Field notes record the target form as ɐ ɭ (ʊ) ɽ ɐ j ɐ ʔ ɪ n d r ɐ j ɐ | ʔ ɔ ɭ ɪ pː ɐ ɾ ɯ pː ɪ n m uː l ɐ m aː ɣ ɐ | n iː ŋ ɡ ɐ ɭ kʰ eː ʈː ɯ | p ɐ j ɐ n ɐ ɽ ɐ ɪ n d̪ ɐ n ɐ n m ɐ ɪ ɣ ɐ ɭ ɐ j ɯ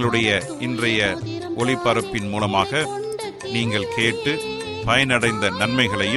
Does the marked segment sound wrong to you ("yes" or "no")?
yes